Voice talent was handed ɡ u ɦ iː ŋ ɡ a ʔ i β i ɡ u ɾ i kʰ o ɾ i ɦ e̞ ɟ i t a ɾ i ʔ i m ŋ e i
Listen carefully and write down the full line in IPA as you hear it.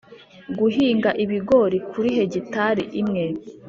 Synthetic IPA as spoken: ɡ u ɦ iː ŋ ɡ a ʔ i β i ɡ o ɾ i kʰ u ɾ i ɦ e̞ ɟ i t a ɾ i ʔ i m ŋ e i